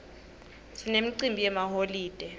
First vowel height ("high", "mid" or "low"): high